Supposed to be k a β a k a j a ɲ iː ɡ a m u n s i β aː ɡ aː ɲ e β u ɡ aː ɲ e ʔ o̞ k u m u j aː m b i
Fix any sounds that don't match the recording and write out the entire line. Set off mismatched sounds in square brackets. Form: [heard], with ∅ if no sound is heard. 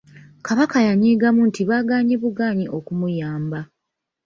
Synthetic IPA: k a β a k a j a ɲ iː ɡ a m u n [t] i β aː ɡ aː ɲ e β u ɡ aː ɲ [i] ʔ o̞ k u m u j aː m b [a]